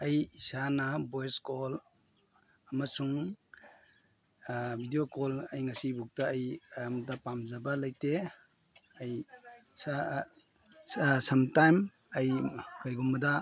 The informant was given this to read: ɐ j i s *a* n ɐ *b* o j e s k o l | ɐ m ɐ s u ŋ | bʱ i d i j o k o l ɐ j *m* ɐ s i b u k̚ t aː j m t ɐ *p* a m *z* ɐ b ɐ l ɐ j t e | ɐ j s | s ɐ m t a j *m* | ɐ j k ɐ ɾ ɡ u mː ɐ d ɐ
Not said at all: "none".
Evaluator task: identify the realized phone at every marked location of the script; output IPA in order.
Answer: a, b, ŋ, p, z, m

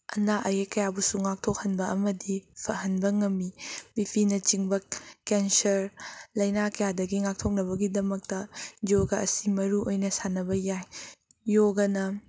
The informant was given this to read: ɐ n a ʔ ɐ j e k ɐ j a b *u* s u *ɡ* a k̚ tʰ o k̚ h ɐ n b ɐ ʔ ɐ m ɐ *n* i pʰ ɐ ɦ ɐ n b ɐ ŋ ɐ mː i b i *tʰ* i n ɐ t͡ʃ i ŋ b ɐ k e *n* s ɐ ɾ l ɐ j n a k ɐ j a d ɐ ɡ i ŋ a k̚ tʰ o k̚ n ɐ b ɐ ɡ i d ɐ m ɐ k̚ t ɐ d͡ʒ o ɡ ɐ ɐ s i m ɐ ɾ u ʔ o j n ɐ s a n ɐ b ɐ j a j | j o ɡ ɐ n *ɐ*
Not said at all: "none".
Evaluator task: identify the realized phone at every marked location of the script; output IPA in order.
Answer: u, ŋ, d, pʰ, n, ɐ

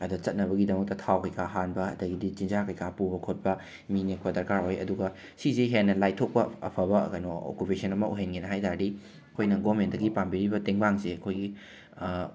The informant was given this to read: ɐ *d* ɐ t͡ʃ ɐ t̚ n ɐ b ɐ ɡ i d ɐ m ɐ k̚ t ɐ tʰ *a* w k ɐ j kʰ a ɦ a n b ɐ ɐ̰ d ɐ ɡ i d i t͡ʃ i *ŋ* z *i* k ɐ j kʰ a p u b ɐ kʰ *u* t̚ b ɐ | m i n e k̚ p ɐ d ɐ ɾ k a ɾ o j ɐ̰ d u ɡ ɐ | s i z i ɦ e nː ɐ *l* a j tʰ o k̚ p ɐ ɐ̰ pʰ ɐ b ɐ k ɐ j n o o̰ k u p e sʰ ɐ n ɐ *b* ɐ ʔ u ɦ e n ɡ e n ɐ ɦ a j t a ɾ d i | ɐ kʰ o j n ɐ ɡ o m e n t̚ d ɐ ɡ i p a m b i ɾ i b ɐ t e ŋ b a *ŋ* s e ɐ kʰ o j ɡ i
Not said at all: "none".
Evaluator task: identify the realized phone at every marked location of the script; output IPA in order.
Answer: d, a, n, a, o, l, m, ŋ

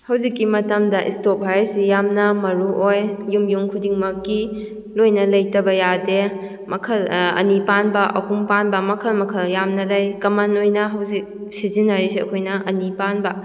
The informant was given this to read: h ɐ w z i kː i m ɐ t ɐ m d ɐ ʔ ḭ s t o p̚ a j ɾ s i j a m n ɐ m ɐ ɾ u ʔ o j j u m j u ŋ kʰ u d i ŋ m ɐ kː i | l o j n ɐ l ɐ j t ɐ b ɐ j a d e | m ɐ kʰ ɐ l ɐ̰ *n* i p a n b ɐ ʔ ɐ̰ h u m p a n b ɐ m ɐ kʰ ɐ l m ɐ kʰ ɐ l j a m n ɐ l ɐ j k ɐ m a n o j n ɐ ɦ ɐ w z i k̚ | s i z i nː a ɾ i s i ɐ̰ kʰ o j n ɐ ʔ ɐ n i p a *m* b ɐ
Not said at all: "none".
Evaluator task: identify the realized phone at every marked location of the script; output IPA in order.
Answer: n, n

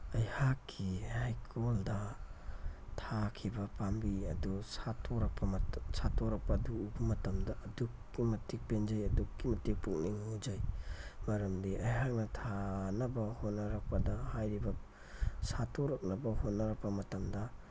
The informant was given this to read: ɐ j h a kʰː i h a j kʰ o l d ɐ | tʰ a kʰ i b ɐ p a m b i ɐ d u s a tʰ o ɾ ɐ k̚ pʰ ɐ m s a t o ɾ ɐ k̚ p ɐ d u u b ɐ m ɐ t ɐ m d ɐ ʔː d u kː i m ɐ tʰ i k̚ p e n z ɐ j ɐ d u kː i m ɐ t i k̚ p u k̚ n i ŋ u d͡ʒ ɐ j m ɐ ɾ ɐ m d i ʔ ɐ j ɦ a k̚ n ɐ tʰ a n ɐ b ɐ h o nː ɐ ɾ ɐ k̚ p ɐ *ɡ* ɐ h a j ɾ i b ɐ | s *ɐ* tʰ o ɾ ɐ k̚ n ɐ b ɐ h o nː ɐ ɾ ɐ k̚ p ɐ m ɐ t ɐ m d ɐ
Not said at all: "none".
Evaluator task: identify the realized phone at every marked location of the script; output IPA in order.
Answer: d, a

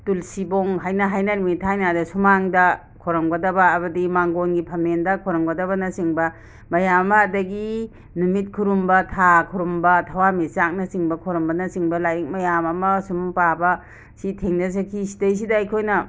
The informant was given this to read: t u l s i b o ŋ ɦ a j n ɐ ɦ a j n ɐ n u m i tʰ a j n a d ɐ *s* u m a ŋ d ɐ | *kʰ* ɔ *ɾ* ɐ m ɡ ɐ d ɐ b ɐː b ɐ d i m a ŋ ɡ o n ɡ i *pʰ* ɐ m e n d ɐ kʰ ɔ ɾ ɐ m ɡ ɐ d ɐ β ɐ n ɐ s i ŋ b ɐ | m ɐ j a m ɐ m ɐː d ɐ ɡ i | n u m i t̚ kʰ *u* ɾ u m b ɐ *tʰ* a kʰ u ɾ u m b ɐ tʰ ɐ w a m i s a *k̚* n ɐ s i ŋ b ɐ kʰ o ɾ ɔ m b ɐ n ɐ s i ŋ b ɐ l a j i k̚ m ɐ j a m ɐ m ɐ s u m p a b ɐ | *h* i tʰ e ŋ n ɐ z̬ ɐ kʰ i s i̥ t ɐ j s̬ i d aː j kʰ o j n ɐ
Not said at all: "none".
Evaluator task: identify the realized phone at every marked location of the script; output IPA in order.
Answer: s, kʰ, ɾ, pʰ, u, tʰ, k̚, s

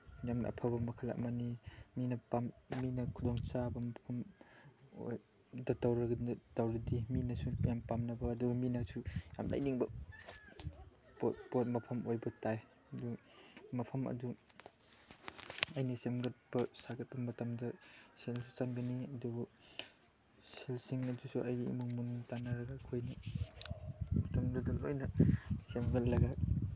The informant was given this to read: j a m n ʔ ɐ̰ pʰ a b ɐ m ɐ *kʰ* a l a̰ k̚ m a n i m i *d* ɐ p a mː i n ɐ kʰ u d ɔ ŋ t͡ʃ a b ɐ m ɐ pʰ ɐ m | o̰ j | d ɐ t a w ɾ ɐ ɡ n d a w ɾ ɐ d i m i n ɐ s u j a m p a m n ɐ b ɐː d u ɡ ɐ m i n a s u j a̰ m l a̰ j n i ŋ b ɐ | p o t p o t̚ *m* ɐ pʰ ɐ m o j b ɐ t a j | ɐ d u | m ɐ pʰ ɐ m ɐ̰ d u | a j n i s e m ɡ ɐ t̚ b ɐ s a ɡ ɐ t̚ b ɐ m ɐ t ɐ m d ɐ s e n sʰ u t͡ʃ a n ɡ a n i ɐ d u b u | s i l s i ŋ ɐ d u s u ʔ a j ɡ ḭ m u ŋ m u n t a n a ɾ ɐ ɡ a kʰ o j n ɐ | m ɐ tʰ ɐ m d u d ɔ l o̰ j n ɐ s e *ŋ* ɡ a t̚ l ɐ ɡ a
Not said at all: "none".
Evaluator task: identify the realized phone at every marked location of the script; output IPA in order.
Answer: kʰ, n, m, m

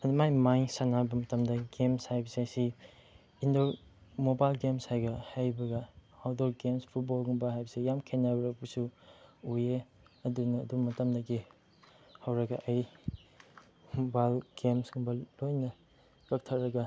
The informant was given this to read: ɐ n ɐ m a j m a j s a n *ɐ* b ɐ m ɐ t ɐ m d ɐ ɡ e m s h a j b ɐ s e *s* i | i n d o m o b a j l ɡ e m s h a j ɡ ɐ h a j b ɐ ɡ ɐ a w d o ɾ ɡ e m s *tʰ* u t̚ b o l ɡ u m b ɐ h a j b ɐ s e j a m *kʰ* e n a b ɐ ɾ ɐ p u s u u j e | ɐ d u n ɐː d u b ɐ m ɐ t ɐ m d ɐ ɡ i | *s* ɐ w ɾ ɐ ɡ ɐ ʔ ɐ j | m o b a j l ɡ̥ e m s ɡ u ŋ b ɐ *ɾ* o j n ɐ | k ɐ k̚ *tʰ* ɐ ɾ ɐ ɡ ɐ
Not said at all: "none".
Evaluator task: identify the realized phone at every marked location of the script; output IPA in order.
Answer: a, s, pʰ, kʰ, h, l, tʰ

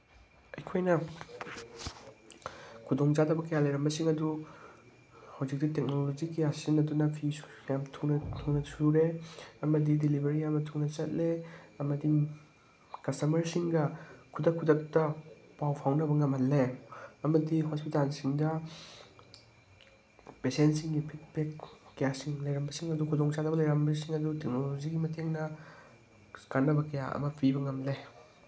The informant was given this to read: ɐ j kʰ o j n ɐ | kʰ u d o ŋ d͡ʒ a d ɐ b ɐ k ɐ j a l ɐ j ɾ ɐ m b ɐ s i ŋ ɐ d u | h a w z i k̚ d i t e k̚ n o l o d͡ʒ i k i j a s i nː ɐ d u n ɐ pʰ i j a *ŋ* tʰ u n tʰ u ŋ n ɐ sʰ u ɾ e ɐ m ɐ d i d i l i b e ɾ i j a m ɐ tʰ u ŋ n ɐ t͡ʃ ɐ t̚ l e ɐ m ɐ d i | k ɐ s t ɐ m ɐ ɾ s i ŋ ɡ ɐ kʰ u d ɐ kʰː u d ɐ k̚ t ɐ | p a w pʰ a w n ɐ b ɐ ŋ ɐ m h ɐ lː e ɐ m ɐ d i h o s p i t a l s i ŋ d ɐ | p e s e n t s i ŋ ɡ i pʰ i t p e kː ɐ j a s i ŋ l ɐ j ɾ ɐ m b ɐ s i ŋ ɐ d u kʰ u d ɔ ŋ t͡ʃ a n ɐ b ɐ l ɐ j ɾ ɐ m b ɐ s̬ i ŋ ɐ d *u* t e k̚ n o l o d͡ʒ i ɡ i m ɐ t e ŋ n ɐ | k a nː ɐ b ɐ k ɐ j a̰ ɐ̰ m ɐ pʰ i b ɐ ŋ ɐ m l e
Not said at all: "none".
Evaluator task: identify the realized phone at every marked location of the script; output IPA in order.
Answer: m, u

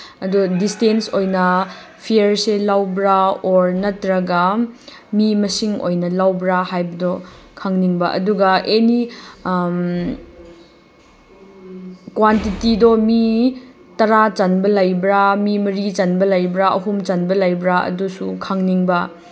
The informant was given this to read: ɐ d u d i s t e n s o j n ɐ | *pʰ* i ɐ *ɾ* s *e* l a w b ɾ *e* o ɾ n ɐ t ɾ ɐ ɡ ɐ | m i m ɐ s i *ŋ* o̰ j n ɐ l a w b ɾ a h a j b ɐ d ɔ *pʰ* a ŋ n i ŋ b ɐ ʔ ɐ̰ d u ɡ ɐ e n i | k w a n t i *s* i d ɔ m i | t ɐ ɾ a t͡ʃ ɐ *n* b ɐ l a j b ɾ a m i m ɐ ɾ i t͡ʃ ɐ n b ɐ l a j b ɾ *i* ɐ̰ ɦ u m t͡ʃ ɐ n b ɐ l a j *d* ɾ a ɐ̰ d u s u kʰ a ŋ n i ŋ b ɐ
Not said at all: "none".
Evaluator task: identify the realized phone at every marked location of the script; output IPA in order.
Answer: pʰ, ɾ, e, a, ŋ, kʰ, t, n, a, b

